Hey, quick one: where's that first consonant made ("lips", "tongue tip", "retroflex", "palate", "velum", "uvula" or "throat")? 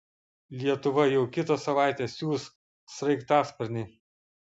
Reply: tongue tip